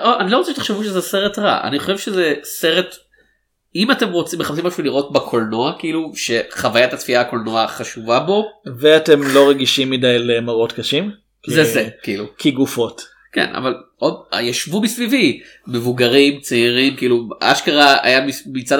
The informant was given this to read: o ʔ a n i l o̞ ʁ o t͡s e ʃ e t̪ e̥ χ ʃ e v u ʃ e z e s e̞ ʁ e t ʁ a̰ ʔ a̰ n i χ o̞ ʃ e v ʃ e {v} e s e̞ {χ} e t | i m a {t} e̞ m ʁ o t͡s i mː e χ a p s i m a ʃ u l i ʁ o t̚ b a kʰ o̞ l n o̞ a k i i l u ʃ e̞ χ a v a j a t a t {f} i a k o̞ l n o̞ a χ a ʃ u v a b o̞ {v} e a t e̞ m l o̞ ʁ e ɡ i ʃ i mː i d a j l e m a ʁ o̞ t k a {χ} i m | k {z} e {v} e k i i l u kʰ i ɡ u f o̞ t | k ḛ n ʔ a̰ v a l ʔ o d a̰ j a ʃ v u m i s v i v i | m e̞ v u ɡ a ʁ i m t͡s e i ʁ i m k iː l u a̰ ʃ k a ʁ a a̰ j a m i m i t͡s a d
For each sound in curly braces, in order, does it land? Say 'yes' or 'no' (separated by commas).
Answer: no, no, yes, yes, yes, no, yes, no